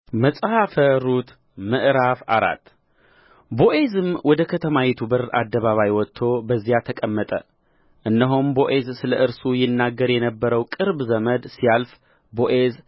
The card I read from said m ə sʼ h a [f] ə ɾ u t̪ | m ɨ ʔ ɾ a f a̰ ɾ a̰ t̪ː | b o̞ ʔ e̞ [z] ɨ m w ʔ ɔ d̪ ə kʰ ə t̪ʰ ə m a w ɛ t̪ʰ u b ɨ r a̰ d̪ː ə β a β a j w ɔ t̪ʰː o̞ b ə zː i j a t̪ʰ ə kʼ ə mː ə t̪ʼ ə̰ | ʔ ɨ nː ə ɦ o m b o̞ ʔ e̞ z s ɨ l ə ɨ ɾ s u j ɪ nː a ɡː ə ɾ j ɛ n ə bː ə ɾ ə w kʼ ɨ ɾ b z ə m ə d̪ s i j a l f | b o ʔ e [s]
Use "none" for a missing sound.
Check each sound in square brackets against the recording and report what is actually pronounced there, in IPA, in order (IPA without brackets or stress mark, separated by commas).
f, z, z